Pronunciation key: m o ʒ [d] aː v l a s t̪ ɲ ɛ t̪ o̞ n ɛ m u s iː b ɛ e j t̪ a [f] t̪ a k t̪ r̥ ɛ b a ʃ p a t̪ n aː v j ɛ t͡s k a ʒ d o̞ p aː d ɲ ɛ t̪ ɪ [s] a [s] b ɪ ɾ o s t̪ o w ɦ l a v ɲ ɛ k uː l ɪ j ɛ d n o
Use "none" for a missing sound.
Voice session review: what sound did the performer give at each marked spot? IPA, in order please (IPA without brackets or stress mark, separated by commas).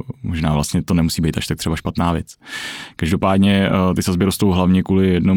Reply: n, ʃ, s, z